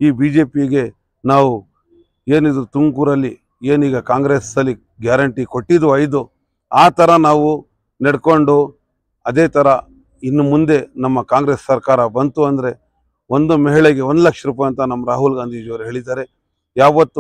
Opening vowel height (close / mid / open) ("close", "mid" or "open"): close